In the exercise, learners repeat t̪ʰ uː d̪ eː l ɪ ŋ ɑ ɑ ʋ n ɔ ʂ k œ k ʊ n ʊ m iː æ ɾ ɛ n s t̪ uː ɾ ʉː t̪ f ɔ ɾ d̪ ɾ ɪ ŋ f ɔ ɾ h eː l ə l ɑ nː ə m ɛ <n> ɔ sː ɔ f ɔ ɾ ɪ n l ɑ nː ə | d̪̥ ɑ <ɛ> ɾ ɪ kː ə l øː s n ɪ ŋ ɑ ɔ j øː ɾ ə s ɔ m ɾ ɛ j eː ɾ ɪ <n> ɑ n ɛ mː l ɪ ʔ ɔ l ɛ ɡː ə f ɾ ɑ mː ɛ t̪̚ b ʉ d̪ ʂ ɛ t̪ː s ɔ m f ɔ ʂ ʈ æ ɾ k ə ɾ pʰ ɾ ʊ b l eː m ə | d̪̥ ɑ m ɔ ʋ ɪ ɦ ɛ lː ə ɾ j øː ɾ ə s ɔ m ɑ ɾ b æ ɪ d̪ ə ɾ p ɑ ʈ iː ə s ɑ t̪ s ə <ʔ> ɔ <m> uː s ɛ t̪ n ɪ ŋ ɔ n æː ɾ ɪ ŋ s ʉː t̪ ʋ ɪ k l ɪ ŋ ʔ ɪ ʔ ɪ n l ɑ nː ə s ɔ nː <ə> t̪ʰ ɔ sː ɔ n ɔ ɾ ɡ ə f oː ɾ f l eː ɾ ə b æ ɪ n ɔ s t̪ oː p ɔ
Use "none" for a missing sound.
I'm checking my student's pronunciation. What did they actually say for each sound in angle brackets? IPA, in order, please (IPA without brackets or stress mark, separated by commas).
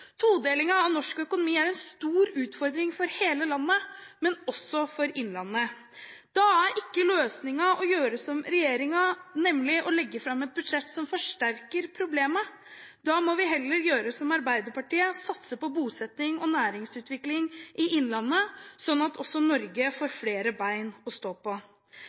n, æ, ŋ, p, b, ɑ